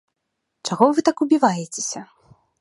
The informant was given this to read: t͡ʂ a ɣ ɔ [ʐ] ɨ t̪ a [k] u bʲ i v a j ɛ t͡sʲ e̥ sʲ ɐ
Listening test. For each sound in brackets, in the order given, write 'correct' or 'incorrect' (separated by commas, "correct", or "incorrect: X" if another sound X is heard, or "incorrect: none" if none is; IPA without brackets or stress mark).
incorrect: v, correct